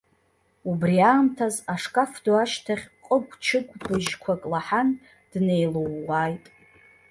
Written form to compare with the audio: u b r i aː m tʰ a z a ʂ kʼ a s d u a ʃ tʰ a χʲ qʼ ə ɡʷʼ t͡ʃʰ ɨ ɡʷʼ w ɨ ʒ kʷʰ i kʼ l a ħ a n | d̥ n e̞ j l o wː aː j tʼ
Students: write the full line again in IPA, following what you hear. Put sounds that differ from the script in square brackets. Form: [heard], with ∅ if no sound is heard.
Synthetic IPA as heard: u b r i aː m tʰ a z a ʂ kʼ a [f] d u a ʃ tʰ a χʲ qʼ ə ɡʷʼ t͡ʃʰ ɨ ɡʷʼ [b] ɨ ʒ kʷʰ [a] kʼ l a ħ a n | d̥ n e̞ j l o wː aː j tʼ